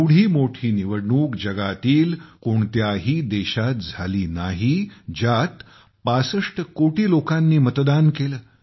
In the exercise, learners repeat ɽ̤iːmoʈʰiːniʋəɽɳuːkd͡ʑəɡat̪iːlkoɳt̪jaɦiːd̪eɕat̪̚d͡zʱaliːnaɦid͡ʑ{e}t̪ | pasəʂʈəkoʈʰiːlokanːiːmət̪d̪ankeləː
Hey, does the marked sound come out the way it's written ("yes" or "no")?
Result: no